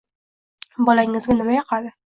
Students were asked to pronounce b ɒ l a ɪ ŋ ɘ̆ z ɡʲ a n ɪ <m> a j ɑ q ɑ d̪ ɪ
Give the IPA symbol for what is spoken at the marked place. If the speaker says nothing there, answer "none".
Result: m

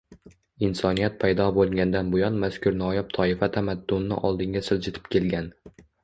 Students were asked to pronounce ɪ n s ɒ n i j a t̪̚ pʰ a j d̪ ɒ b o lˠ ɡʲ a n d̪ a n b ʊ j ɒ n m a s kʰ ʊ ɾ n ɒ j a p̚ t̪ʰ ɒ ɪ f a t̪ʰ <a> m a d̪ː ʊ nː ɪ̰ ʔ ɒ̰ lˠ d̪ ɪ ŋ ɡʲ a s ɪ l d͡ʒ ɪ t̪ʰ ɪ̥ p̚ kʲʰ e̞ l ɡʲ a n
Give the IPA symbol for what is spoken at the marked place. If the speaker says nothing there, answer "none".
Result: a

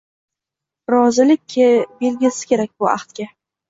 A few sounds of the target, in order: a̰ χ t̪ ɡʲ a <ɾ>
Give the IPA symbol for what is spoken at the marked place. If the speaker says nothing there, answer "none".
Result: none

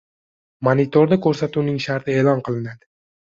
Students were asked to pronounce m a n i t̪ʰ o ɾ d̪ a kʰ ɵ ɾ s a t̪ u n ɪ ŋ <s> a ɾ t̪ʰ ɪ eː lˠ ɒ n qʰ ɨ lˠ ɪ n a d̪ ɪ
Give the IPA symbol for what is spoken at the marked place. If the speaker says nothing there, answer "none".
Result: ʃ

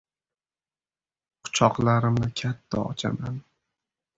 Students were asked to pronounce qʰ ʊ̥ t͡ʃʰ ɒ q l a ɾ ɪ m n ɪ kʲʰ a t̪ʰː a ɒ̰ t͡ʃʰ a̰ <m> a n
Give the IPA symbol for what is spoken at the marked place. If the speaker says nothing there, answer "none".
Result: m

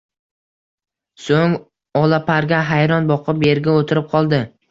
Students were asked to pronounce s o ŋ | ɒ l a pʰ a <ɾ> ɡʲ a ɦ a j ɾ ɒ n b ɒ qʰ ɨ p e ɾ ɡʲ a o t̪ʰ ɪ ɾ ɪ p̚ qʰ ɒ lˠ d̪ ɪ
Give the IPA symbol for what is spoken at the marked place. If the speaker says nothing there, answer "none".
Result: ɾ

